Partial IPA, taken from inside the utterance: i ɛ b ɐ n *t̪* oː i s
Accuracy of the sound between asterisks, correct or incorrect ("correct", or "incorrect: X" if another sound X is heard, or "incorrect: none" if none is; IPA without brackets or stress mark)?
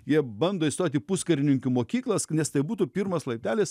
incorrect: d̪